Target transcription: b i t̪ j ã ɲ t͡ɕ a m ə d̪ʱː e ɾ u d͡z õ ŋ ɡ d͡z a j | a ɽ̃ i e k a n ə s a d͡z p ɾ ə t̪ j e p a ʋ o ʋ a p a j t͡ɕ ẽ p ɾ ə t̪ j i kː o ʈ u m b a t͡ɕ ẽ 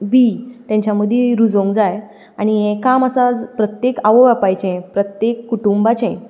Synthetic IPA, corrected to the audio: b i t̪ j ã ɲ t͡ɕ a m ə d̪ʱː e ɾ u d͡z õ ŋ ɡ d͡z a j | a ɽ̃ i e k a m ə s a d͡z p ɾ ə t̪ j e k a ʋ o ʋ a p a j t͡ɕ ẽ p ɾ ə t̪ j e kː u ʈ u m b a t͡ɕ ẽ